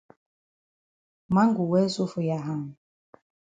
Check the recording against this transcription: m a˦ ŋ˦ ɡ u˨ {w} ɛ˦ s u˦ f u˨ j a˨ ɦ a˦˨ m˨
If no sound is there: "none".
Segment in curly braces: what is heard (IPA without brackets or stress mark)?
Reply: w